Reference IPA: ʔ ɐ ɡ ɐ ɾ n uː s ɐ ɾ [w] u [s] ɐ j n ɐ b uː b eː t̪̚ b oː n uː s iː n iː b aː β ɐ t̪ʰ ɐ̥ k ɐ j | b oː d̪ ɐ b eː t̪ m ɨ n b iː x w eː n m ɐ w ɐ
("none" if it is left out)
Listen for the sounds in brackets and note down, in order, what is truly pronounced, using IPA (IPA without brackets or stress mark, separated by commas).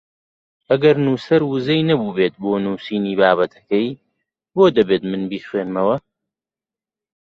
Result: w, z